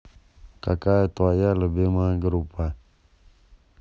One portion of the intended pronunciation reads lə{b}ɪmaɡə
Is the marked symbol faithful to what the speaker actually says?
yes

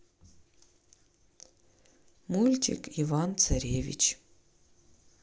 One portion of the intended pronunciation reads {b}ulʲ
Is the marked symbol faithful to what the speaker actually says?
no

